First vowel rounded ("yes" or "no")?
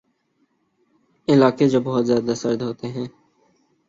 no